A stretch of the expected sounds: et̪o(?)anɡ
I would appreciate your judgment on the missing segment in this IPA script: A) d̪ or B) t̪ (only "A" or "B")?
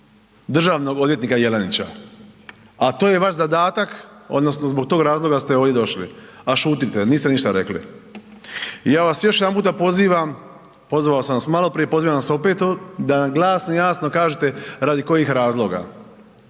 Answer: A